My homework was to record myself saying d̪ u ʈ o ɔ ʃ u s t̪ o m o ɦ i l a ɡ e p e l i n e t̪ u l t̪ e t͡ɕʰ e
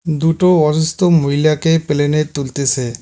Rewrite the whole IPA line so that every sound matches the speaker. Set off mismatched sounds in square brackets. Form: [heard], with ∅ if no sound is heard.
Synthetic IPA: d̪ u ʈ o ɔ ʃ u s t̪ o m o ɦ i l a [k] e p e l [e] n e t̪ u l t̪ e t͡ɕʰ e